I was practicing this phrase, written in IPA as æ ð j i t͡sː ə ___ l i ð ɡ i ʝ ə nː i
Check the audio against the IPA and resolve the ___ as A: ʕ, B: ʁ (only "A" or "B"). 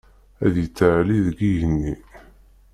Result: A